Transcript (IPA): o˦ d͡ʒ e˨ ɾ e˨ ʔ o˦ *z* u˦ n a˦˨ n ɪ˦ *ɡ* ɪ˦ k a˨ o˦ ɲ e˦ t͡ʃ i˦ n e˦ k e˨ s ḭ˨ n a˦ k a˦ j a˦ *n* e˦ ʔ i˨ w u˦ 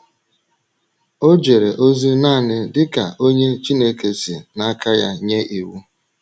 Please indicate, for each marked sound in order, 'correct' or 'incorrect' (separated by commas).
correct, incorrect, incorrect